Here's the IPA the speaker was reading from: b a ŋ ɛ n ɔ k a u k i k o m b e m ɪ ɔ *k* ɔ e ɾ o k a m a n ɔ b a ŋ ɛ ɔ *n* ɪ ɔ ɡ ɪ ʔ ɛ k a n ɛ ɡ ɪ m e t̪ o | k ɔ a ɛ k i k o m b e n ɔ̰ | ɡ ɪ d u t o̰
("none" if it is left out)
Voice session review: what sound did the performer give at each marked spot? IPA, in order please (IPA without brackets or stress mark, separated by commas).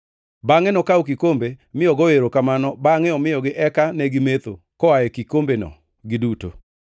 ɡ, m